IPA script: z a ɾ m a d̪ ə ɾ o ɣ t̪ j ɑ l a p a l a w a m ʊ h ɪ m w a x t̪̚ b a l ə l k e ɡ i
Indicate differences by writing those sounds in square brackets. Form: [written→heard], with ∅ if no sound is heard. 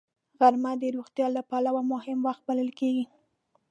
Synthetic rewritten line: [z→ɣ] a ɾ m a d̪ ə ɾ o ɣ t̪ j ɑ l a p a l a w a m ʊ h ɪ m w a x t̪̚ b a l ə l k e ɡ i